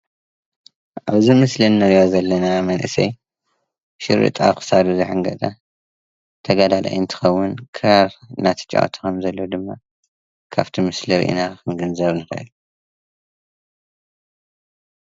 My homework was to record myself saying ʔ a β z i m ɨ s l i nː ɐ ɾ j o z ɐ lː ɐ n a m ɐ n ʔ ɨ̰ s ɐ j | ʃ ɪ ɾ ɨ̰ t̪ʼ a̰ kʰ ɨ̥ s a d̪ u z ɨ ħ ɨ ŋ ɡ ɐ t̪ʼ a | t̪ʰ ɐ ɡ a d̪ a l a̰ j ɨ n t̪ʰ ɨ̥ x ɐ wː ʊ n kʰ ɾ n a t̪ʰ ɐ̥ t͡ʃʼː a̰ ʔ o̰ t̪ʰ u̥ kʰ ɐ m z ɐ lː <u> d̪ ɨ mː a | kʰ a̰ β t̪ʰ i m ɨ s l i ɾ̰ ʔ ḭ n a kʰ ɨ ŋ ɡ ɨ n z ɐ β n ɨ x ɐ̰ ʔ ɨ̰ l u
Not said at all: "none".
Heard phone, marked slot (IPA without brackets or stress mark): o